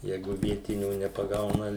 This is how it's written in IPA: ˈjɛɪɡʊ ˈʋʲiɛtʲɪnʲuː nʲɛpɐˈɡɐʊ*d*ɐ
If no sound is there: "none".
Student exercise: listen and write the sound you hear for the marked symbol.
n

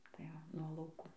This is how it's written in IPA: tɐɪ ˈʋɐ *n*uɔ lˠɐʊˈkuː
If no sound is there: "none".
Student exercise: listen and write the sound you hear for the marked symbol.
n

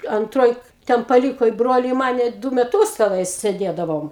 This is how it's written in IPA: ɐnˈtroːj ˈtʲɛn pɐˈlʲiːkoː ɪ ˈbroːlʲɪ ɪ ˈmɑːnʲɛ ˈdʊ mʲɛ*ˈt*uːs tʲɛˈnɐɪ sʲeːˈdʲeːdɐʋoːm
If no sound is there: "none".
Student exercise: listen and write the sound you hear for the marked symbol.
t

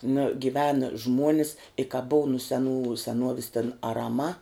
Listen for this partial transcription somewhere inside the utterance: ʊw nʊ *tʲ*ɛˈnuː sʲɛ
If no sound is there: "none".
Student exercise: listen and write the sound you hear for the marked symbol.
sʲ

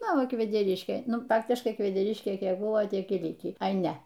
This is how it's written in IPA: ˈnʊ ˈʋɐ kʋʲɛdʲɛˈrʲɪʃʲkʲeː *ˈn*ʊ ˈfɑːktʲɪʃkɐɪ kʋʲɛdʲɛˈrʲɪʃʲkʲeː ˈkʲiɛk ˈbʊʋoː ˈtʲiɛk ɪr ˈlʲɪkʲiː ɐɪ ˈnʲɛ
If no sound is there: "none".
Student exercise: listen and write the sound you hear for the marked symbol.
n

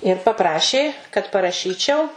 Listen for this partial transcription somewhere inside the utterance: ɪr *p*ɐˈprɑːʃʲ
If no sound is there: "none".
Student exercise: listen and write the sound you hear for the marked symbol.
p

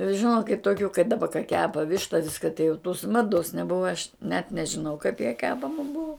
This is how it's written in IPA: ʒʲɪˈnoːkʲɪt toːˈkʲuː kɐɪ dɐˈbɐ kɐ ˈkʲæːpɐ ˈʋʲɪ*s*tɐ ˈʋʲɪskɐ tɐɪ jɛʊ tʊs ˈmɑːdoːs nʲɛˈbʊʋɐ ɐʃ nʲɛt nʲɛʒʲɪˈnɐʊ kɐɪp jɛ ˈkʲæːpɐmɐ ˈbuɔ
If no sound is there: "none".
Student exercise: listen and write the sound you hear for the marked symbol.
ʃ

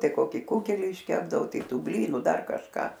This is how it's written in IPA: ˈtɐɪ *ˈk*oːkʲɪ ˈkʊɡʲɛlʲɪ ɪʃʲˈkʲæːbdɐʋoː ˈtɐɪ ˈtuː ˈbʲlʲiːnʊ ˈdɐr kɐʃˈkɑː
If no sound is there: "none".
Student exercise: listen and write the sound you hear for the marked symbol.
k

